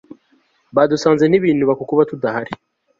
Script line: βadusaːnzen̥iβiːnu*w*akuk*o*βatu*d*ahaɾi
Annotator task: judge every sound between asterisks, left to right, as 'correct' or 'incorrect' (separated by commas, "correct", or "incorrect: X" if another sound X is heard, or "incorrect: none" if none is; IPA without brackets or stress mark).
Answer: incorrect: β, incorrect: u, correct